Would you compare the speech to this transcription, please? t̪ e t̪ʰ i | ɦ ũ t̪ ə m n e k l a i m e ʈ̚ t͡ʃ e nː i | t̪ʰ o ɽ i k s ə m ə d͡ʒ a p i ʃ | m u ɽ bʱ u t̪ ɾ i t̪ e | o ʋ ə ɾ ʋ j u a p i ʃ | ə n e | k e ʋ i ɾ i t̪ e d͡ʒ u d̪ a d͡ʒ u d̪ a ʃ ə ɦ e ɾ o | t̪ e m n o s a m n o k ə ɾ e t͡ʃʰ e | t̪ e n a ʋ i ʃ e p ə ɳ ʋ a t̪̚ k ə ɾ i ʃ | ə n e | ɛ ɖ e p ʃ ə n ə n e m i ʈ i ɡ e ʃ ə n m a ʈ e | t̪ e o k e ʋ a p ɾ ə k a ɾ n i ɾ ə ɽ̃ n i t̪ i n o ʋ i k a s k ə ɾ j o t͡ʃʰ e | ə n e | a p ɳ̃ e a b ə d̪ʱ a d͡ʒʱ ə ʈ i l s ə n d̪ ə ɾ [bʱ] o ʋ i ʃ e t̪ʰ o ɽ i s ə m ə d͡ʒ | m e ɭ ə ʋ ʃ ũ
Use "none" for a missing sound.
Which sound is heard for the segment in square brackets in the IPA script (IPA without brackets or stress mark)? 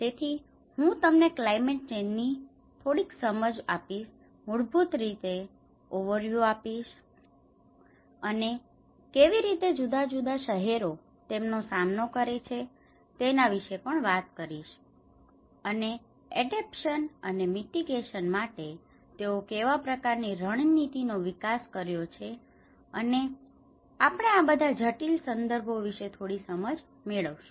bʱ